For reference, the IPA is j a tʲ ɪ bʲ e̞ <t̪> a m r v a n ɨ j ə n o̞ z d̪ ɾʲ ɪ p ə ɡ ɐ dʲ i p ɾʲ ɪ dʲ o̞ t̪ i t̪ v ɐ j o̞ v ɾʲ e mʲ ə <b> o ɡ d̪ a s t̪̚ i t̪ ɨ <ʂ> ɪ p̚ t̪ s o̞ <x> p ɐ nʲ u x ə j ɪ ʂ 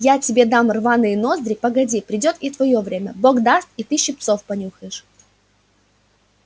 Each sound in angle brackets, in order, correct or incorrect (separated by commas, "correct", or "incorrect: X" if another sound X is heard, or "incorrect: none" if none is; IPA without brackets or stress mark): incorrect: d̪, correct, incorrect: ɕ, incorrect: f